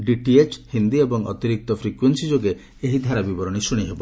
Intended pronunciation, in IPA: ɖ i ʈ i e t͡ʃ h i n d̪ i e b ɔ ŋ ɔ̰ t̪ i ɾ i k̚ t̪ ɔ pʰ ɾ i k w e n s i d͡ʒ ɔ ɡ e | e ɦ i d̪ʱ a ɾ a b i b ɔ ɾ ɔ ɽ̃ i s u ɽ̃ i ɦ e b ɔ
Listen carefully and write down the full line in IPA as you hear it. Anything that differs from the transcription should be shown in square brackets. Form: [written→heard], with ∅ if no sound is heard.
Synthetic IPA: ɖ i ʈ i e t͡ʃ h i n d̪ i e b ɔ ŋ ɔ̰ t̪ i ɾ i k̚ t̪ ɔ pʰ ɾ i k w e n s i d͡ʒ [ɔ→o] ɡ e | e ɦ i d̪ʱ a ɾ a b i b ɔ ɾ ɔ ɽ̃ i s u ɽ̃ i ɦ e b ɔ